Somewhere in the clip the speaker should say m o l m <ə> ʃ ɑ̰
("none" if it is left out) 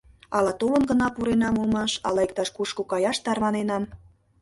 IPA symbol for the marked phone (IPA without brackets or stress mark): ɑ